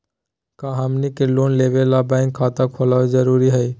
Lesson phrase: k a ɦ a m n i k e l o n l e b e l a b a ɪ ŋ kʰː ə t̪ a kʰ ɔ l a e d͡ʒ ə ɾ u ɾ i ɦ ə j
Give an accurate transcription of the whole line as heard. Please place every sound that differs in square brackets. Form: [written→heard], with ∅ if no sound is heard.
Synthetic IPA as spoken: k a ɦ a m n i k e l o n l e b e l a b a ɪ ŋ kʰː [ə→a] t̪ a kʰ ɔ l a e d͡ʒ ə ɾ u ɾ i ɦ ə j